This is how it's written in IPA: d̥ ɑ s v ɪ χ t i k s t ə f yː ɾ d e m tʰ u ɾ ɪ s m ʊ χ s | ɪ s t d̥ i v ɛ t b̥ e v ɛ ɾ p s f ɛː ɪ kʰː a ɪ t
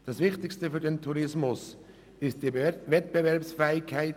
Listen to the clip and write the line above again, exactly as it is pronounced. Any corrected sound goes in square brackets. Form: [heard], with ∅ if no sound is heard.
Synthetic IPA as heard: d̥ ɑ s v ɪ χ t [ɪ] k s t ə f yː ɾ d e [n] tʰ u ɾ ɪ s m ʊ [∅] s | ɪ s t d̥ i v ɛ t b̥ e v ɛ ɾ p s f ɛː ɪ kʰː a ɪ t